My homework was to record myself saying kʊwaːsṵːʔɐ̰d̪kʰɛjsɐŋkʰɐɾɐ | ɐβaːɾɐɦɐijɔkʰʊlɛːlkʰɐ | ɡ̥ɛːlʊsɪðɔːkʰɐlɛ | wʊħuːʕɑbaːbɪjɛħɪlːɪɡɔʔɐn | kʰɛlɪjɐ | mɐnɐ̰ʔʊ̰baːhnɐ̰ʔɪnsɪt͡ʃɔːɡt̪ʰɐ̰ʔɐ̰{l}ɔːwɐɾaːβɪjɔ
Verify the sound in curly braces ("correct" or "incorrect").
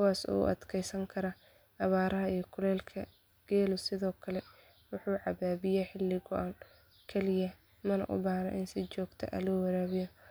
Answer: correct